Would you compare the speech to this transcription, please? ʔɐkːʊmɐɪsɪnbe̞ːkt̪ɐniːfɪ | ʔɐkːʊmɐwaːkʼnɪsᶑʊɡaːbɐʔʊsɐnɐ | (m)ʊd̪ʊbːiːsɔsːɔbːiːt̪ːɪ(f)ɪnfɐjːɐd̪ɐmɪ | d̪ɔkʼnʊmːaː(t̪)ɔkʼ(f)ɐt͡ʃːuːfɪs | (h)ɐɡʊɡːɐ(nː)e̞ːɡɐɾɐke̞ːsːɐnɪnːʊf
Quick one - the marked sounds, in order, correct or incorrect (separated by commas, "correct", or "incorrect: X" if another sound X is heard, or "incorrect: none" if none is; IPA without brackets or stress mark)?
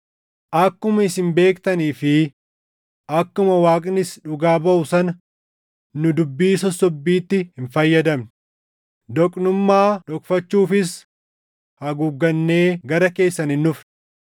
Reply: incorrect: n, incorrect: h, incorrect: d̪, correct, correct, correct